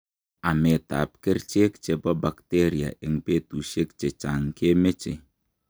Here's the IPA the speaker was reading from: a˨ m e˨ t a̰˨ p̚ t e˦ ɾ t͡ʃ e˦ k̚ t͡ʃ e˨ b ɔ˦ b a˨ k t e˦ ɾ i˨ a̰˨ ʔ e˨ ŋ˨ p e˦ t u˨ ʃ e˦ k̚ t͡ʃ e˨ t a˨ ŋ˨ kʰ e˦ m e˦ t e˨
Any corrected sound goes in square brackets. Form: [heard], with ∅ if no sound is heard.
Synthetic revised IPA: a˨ m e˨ t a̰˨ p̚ [k] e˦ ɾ t͡ʃ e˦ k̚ t͡ʃ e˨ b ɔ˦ b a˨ k t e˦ ɾ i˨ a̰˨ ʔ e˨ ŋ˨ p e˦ t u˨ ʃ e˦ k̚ t͡ʃ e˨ [t͡ʃ] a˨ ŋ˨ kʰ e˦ m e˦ [t͡ʃ] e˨